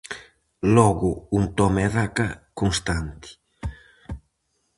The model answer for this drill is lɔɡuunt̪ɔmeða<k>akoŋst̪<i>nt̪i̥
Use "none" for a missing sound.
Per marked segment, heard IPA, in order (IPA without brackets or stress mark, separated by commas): k, a